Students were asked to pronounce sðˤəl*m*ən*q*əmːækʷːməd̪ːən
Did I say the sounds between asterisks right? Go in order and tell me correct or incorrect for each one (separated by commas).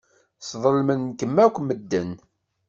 correct, incorrect